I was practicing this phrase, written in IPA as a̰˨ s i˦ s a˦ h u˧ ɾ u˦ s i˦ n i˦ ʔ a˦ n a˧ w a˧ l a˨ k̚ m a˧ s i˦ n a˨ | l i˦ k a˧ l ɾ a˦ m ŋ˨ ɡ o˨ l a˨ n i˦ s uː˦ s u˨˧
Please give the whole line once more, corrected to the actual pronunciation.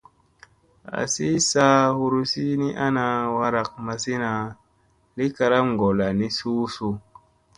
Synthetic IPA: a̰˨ s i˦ s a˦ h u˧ ɾ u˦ s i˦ n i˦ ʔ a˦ n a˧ w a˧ ɾ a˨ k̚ m a˧ s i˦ n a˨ | l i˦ k a˧ ɾ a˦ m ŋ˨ ɡ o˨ l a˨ n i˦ s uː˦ s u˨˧